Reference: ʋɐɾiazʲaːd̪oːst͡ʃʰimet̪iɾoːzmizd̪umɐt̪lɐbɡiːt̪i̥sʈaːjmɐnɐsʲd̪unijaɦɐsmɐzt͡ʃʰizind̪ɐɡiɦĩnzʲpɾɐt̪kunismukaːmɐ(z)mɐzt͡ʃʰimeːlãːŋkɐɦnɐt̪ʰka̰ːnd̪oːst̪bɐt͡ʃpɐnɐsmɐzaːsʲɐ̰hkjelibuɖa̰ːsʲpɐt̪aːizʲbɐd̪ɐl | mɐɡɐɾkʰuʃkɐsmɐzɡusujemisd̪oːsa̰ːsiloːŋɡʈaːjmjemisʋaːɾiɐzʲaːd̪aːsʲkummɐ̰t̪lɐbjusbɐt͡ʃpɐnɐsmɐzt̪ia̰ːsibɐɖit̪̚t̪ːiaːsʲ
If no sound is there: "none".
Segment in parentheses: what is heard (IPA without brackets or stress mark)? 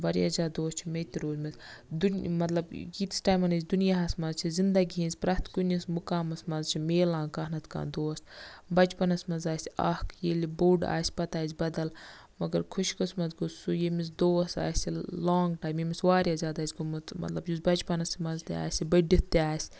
s